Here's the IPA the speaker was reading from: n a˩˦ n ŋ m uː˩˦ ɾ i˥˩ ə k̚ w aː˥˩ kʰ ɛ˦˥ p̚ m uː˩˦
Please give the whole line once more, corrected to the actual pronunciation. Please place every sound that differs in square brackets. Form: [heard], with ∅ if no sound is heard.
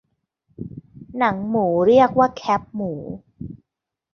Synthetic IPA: n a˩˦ [∅] ŋ m uː˩˦ ɾ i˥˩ ə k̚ w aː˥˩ kʰ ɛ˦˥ p̚ m uː˩˦